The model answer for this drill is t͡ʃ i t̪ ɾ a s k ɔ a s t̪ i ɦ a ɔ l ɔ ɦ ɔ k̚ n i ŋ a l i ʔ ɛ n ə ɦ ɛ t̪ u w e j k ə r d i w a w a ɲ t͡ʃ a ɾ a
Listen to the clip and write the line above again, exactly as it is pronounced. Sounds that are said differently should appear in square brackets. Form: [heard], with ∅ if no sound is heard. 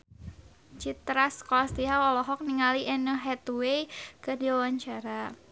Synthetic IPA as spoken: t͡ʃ i t̪ ɾ a s k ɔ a s t̪ i ɦ a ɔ l ɔ ɦ ɔ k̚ n i ŋ a l i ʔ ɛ n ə ɦ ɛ t̪ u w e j k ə r d i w a w a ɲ t͡ʃ a ɾ a

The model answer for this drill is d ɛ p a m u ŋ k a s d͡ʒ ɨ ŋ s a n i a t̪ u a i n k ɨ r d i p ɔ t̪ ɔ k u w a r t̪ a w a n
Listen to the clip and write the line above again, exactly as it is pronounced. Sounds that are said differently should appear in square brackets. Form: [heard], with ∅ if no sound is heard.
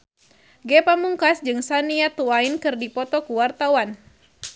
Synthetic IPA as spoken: [ɡ] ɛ p a m u ŋ k a s d͡ʒ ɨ ŋ s a n i a t̪ u a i n k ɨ r d i p ɔ t̪ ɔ k u w a r t̪ a w a n

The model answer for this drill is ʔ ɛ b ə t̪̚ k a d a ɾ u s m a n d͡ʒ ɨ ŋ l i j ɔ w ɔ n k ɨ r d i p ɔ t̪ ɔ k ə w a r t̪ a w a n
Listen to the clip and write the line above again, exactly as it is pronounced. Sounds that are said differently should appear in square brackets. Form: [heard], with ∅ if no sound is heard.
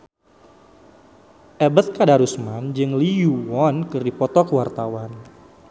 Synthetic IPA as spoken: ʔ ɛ b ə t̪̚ k a d a ɾ u s m a n d͡ʒ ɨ ŋ l i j [u] w ɔ n k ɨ r d i p ɔ t̪ ɔ k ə w a r t̪ a w a n

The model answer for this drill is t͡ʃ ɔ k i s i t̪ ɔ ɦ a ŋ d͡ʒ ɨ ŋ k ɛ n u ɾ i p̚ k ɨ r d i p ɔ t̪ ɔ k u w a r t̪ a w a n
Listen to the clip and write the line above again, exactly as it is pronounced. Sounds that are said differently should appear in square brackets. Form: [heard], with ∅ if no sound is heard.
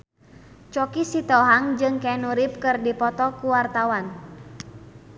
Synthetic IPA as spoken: t͡ʃ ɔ k i s i t̪ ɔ ɦ a ŋ d͡ʒ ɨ ŋ k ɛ n u ɾ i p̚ k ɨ r d i p ɔ t̪ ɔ k u w a r t̪ a w a n

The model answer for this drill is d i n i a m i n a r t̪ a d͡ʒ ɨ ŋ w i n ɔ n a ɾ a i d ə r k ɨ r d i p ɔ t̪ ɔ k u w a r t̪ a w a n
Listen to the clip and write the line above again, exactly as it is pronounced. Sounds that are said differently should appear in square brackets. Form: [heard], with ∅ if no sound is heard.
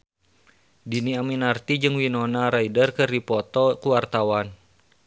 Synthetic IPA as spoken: d i n i a m i n a r t̪ [i] d͡ʒ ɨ ŋ w i n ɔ n a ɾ a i d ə r k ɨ r d i p ɔ t̪ ɔ k u w a r t̪ a w a n

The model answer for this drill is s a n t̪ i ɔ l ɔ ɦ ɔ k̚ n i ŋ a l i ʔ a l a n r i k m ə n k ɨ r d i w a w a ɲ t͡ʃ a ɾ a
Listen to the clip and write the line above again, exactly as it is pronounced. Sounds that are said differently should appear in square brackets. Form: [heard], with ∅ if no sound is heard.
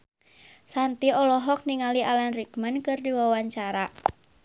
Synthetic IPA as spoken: s a n t̪ i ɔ l ɔ ɦ ɔ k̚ n i ŋ a l i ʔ a l a n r i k m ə n k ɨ r d i w a w a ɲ t͡ʃ a ɾ a

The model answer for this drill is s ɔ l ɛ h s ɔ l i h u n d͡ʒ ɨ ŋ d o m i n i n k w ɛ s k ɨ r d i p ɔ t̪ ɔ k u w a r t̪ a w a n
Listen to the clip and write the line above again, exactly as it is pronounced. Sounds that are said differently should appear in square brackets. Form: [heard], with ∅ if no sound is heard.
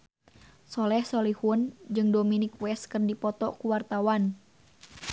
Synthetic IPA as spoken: s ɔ l ɛ h s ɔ l i h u n d͡ʒ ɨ ŋ d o m i n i [∅] k w ɛ s k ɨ r d i p ɔ t̪ ɔ k u w a r t̪ a w a n

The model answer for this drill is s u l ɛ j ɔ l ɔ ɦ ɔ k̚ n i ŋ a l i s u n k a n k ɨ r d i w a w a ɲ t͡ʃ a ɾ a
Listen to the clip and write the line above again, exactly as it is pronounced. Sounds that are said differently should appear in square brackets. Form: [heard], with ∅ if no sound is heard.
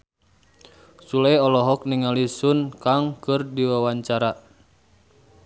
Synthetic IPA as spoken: s u l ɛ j ɔ l ɔ ɦ ɔ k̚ n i ŋ a l i s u n k a [ŋ] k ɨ r d i w a w a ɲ t͡ʃ a ɾ a

